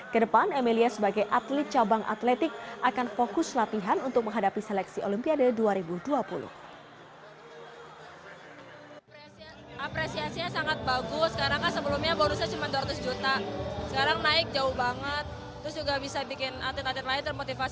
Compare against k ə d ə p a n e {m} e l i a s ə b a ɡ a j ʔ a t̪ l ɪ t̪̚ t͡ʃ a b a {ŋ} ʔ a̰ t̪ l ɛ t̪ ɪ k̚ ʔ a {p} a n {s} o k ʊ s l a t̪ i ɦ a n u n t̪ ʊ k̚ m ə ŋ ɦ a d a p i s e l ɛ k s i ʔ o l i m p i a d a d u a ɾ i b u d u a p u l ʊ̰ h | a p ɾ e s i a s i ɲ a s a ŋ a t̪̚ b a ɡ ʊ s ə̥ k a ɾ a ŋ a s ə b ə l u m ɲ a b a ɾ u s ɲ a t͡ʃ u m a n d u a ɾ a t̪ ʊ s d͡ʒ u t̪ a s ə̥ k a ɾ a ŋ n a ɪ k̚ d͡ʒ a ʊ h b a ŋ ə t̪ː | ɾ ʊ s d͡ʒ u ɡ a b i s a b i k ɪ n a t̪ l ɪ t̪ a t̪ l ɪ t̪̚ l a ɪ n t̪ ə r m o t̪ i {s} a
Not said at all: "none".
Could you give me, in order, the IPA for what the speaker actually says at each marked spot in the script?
m, ŋ, k, f, f

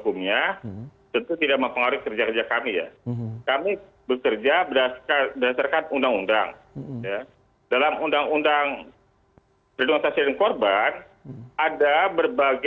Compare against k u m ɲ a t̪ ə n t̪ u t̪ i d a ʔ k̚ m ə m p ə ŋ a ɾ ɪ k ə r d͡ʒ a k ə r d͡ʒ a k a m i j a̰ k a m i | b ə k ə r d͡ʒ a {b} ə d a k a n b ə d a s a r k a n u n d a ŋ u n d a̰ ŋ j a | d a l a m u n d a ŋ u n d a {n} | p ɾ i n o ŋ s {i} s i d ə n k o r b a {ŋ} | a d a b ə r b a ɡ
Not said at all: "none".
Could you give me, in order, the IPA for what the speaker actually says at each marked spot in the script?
b, ŋ, a, n

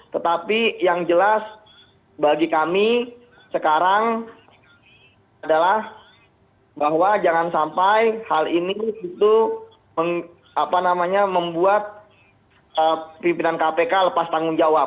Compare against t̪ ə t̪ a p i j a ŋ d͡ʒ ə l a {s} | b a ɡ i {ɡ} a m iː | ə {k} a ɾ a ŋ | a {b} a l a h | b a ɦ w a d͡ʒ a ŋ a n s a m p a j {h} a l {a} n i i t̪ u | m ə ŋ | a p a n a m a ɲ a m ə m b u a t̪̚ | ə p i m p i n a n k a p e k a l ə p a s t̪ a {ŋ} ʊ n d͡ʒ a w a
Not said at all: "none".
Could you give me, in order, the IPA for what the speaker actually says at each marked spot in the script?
s, k, k, d, h, i, ŋ

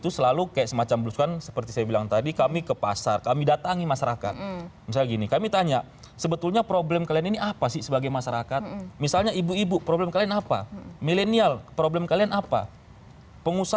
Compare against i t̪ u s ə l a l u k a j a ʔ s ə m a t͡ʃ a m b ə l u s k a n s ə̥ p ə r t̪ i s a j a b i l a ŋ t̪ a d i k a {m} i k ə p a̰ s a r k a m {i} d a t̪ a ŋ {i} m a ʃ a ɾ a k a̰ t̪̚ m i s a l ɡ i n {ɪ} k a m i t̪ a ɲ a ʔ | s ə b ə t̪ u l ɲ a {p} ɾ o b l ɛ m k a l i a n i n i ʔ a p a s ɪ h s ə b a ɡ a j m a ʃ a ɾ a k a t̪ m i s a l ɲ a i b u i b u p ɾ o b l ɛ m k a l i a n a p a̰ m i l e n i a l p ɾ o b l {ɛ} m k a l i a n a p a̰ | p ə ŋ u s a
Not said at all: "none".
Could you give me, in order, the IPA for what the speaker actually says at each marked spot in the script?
m, i, i, i, p, ɛ

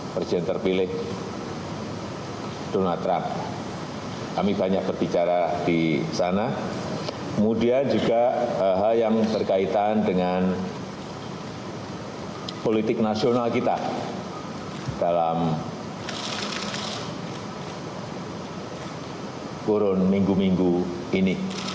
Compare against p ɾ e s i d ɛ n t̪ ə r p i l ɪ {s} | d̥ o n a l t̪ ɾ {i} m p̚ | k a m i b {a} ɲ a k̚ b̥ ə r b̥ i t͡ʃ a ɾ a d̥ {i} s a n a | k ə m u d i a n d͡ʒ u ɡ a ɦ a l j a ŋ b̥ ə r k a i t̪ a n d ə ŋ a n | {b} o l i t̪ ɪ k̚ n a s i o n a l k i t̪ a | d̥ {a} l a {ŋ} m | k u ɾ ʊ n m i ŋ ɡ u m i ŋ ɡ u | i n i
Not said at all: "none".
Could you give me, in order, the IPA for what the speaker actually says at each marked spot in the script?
h, a, a, i, p, a, m

